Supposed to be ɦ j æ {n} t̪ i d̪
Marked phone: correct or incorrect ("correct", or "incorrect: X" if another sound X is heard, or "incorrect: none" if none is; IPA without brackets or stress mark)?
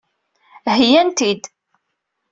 correct